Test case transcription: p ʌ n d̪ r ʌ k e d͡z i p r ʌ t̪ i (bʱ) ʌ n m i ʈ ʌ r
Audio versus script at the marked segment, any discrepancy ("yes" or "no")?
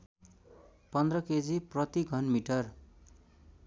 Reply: yes